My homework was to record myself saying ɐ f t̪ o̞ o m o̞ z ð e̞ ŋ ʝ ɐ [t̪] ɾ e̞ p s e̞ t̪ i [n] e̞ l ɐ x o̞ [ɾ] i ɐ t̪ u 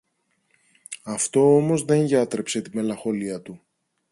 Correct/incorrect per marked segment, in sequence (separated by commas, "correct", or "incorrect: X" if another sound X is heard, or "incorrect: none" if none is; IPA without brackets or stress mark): correct, incorrect: m, incorrect: l